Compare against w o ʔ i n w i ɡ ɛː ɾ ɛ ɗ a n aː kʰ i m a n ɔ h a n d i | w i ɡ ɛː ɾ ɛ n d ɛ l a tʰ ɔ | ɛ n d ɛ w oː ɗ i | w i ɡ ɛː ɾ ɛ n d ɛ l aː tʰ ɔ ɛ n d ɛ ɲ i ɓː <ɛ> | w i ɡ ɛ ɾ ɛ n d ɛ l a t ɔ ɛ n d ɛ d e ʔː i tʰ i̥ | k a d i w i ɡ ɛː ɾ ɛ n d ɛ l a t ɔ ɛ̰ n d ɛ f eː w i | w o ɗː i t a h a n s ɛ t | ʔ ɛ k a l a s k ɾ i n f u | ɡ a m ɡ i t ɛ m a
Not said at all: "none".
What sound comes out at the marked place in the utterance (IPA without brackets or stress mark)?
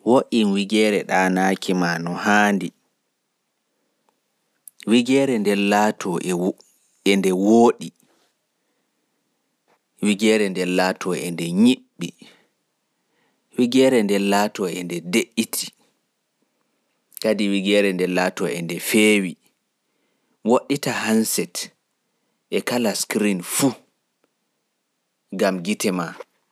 i